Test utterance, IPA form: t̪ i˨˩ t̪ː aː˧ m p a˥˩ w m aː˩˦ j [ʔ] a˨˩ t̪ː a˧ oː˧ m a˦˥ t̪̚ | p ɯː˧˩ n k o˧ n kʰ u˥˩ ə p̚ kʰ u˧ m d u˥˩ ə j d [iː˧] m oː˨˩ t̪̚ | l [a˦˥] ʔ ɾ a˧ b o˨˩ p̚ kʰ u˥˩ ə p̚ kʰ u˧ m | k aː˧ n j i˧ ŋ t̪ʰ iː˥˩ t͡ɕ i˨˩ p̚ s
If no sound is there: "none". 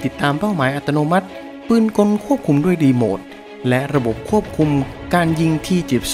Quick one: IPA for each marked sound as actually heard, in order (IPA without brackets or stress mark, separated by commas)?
ʔ, iː˧, ɛ˦˥